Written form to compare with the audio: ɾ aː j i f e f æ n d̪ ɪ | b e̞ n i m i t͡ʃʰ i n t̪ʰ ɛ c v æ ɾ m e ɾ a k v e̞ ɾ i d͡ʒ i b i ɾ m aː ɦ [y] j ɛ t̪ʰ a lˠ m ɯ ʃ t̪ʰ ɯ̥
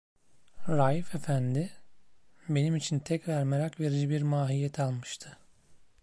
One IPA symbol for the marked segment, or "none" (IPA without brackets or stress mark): i